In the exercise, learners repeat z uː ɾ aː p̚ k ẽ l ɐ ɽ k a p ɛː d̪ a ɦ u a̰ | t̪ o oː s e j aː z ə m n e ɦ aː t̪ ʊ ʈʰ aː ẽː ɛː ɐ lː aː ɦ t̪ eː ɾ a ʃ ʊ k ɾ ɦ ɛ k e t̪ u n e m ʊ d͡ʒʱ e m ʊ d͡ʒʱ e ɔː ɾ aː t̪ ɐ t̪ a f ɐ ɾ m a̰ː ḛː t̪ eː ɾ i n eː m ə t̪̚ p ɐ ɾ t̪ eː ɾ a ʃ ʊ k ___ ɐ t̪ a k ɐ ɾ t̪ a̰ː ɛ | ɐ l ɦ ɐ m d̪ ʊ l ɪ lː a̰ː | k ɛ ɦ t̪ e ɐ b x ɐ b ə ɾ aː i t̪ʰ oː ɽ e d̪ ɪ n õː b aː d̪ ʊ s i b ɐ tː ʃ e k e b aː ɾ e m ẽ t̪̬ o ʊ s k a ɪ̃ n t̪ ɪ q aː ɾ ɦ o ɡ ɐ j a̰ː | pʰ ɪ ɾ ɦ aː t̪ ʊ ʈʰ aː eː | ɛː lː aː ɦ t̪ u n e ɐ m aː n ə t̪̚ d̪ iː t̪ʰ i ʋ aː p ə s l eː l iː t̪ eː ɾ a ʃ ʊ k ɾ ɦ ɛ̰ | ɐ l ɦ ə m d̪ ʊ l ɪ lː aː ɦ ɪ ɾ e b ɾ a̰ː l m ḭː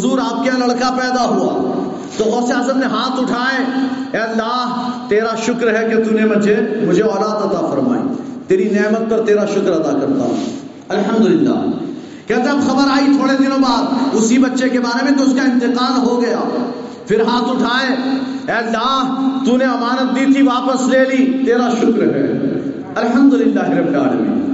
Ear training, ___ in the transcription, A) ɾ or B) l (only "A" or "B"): A